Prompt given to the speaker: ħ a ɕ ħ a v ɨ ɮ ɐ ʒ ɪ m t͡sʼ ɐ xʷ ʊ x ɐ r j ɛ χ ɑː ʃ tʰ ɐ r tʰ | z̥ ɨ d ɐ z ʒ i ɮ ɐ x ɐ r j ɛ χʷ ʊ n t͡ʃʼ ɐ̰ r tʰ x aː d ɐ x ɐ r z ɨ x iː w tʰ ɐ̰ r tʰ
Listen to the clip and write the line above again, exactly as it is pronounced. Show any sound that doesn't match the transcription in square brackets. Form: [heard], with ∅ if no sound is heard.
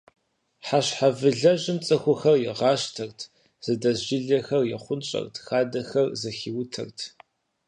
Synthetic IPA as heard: ħ a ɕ ħ a v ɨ ɮ ɐ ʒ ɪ m t͡sʼ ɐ xʷ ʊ x ɐ r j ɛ [ʁ] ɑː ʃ tʰ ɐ r tʰ | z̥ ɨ d ɐ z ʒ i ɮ ɐ x ɐ r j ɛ χʷ ʊ n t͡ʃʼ ɐ̰ r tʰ x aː d ɐ x ɐ r z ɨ x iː w tʰ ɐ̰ r tʰ